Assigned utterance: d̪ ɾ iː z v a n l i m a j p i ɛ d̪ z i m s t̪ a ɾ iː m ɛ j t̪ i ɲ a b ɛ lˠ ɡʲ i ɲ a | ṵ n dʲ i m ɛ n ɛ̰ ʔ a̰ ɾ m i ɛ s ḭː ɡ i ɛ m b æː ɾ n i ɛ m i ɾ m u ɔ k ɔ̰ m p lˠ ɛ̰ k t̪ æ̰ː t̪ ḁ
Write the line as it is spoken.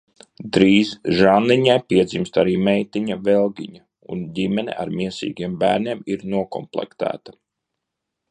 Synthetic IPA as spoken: d̪ ɾ iː z ʒ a n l i ɲ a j p i ɛ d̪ z i m s t̪ a ɾ iː m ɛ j t̪ i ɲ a v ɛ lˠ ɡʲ i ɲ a | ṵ n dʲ i m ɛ n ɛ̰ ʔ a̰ ɾ m i ɛ s ḭː ɡ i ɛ m b æː ɾ n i ɛ m i ɾ n u ɔ k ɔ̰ m p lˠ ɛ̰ k t̪ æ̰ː t̪ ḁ